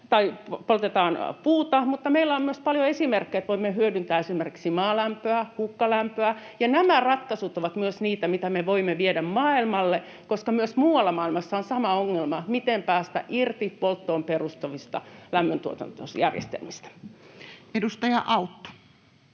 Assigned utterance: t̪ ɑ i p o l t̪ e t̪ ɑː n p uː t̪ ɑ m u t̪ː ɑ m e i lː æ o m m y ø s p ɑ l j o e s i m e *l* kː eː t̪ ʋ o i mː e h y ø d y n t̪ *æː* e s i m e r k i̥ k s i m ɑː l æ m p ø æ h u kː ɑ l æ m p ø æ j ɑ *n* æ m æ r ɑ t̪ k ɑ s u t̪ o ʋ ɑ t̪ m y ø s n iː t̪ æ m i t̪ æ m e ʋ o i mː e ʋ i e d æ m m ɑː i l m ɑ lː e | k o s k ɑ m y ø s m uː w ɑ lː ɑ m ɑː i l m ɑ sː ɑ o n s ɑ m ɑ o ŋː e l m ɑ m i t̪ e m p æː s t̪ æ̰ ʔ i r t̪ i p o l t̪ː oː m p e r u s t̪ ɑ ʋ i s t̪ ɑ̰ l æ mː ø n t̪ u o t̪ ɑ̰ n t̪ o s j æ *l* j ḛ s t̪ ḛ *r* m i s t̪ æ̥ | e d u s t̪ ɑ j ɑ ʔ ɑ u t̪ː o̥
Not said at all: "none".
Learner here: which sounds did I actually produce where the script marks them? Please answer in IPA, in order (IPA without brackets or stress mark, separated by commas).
r, æː, n, r, l